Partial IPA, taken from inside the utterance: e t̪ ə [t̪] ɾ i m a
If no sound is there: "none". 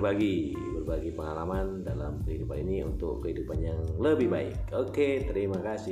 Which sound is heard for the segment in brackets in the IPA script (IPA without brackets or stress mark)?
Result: none